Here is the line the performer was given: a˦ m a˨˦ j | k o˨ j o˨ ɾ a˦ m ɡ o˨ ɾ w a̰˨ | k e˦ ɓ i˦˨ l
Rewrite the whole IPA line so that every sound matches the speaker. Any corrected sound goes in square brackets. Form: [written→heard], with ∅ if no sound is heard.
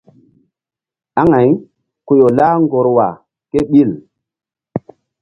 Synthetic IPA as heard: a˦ [m→ŋ] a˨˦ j | k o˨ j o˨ [ɾ→l] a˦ [m→ŋ] ɡ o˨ ɾ w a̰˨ | k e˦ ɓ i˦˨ l